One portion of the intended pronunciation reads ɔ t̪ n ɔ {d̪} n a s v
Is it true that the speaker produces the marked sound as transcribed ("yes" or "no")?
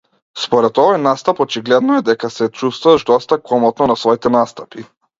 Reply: no